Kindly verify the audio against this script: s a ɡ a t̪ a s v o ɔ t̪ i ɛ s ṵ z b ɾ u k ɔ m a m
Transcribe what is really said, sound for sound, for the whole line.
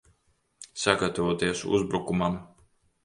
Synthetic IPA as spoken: s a ɡ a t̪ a v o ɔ t̪ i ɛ s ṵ z b ɾ u k u m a m